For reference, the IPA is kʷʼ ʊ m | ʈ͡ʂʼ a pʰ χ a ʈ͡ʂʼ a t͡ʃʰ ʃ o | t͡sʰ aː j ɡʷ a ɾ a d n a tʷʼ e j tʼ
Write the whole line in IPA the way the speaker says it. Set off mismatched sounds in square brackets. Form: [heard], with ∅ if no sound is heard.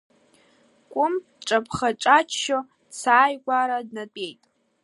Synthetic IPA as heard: kʷʼ ʊ m | ʈ͡ʂʼ a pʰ χ a ʈ͡ʂʼ a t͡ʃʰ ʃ o | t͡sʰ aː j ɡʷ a ɾ a d n a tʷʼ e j tʼ